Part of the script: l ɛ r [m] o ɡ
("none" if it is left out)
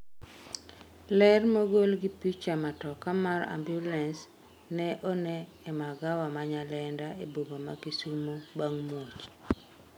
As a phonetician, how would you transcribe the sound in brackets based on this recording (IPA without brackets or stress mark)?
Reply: m